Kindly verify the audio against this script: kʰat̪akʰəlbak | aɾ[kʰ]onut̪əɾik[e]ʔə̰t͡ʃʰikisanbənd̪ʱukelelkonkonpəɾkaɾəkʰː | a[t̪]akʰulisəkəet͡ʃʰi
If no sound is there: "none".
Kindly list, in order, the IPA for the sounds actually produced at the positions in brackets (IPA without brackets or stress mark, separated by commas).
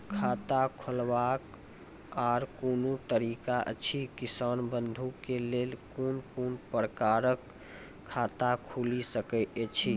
k, a, t̪